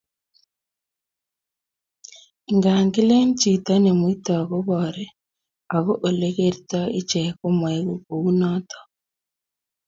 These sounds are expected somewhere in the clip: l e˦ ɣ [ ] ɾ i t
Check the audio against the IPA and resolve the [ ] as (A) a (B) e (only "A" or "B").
B